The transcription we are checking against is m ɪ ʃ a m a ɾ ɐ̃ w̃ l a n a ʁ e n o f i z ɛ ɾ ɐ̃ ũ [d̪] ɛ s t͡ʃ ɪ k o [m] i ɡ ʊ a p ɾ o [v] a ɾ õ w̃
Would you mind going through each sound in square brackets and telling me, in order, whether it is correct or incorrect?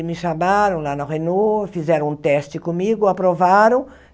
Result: incorrect, correct, correct

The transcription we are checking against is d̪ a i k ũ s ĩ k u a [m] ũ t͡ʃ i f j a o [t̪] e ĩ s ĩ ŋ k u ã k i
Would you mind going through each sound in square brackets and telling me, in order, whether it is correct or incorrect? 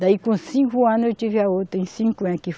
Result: incorrect, correct

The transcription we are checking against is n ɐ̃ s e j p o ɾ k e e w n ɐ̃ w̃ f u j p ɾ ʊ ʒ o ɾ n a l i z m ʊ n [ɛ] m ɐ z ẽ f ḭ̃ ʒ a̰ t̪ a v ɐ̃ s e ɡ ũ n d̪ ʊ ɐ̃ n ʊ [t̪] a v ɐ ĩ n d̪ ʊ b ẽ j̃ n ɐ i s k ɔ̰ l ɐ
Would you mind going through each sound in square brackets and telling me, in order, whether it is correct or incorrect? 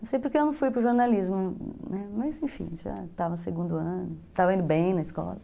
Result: correct, correct

